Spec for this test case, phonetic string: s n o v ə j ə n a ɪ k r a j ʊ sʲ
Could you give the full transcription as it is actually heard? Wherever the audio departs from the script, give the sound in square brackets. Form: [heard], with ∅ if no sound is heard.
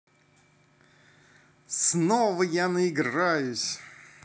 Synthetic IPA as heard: s n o v ə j [a] n [ə] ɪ [ɡ] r a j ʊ sʲ